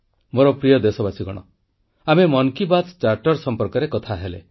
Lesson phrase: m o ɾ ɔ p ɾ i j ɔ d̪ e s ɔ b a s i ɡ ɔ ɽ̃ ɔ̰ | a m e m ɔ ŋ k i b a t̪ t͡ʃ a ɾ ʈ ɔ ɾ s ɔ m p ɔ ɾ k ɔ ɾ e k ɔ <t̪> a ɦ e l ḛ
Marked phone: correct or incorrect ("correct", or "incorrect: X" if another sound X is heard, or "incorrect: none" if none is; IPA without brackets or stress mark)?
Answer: incorrect: t̪ʰ